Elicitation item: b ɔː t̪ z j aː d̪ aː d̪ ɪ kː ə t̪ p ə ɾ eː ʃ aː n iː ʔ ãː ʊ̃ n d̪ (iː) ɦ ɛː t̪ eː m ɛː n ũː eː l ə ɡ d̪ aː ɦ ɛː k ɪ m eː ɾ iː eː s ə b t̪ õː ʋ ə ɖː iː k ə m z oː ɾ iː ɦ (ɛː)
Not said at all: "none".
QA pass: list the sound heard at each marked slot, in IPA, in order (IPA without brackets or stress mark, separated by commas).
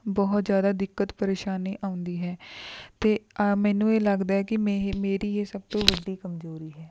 iː, ɛː